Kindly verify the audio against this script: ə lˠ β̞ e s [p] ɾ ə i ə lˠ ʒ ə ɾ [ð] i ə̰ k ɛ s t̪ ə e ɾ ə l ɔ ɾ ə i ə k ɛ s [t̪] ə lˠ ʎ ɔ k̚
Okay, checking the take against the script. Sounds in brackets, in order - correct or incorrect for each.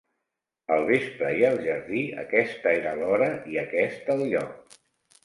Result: correct, correct, correct

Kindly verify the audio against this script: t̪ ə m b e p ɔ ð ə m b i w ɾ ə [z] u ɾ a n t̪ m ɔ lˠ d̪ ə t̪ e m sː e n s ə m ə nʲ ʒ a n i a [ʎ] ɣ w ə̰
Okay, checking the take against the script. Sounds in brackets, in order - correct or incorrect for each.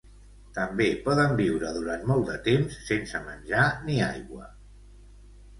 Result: incorrect: ð, incorrect: j

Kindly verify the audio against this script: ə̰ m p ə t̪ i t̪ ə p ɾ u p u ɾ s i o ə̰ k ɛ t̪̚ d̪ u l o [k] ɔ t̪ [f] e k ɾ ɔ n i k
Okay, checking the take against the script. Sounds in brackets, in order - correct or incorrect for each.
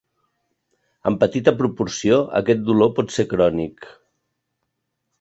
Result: incorrect: p, incorrect: s

